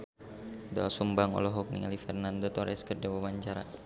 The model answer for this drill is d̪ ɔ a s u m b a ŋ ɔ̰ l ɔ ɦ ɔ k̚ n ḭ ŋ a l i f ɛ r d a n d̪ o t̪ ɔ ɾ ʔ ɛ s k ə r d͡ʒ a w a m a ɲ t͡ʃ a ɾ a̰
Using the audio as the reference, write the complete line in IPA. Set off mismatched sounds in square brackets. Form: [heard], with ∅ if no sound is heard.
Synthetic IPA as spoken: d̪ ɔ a s u m b a ŋ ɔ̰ l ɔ ɦ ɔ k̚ n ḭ ŋ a l i f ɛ r [n] a n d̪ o t̪ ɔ ɾ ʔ ɛ s k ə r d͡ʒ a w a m a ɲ t͡ʃ a ɾ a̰